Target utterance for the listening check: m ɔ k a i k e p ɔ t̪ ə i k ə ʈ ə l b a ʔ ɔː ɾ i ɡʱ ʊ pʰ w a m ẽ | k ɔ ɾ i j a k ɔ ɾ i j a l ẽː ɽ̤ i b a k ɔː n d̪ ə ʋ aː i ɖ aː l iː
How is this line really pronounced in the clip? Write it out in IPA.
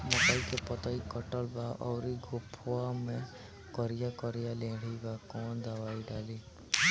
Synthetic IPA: m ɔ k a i k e p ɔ t̪ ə i k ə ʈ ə l b a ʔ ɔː ɾ i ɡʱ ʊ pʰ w a m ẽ | k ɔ ɾ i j a k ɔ ɾ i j a l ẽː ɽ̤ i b a k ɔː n d̪ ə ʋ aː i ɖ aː l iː